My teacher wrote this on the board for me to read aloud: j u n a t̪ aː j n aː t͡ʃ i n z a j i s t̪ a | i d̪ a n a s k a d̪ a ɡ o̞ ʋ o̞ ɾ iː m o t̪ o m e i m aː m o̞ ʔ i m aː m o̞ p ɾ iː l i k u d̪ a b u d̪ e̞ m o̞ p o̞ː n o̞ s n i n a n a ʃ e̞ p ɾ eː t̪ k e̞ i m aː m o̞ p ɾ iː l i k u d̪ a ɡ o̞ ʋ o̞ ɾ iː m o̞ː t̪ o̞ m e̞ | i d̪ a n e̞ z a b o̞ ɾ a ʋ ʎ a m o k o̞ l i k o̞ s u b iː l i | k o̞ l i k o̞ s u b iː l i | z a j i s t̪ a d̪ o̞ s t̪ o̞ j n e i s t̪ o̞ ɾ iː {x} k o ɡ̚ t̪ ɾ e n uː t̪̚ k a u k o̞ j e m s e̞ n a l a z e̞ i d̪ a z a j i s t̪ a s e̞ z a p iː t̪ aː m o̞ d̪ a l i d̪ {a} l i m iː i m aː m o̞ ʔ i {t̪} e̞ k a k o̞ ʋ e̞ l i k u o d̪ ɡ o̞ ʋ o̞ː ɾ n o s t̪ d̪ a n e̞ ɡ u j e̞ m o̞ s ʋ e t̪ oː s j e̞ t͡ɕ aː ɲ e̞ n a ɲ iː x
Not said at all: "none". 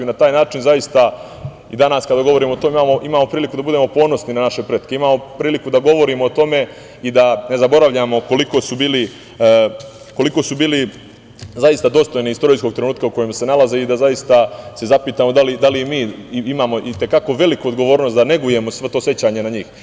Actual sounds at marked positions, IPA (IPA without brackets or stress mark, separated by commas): s, a, t̪